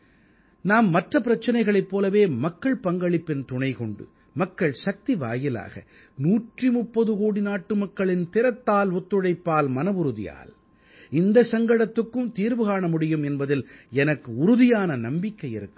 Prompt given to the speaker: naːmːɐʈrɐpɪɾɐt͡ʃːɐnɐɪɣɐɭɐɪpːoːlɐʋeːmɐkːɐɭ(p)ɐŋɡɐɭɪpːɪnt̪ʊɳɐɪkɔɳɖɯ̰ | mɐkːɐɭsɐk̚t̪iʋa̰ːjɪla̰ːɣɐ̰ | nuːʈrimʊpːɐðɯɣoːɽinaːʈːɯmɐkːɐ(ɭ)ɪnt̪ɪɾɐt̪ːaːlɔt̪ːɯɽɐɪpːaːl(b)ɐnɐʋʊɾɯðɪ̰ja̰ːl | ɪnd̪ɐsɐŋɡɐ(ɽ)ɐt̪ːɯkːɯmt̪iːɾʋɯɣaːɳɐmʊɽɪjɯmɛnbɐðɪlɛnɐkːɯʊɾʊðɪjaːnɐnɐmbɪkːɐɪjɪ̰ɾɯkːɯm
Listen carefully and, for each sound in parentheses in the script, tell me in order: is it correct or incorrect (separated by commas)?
correct, correct, incorrect, correct